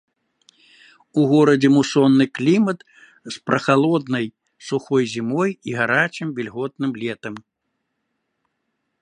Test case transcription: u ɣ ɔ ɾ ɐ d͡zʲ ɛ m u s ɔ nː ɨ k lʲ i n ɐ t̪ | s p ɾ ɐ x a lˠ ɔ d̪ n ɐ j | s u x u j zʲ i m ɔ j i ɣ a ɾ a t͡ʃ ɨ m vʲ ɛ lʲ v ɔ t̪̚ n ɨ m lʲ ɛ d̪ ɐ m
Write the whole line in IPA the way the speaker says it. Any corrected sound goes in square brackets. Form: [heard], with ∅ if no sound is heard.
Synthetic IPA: u ɣ ɔ ɾ ɐ d͡zʲ ɛ m u s ɔ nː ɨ k lʲ i [m] ɐ t̪ | s p ɾ ɐ x a lˠ ɔ d̪ n ɐ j | s u x [ɔ] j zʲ i m ɔ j i ɣ a ɾ a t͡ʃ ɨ m vʲ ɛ lʲ [ɣ] ɔ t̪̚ n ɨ m lʲ ɛ [t̪] ɐ m